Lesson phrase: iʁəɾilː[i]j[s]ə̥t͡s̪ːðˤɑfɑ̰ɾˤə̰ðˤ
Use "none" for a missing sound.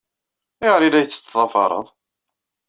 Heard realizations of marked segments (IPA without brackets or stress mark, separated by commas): æ, θ